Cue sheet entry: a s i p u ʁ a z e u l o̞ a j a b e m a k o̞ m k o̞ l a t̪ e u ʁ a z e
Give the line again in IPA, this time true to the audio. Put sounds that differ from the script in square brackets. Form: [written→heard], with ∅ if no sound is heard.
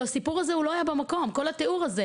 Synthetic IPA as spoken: a s i p u ʁ a z e u l o̞ a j a b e m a k o̞ m k o̞ l a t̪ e u ʁ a z e